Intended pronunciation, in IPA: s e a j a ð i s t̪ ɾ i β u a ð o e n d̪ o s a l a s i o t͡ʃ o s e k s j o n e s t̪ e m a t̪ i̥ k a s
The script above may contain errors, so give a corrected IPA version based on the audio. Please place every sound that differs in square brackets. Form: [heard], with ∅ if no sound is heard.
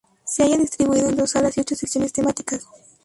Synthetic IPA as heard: s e a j a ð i s t̪ ɾ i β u [i] ð o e n d̪ o s a l a s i o t͡ʃ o s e k s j o n e s t̪ e m a t̪ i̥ k a s